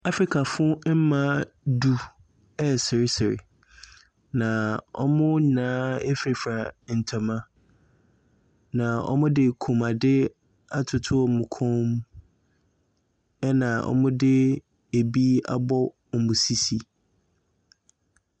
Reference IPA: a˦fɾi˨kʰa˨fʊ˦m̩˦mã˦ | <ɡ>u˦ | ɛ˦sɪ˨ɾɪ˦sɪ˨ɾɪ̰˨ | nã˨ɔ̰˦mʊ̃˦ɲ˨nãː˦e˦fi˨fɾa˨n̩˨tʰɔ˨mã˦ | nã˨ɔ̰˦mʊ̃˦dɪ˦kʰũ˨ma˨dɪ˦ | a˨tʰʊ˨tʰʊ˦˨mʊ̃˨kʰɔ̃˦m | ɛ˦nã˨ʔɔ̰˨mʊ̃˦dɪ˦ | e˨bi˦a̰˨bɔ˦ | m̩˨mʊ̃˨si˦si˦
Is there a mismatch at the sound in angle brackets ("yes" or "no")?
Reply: yes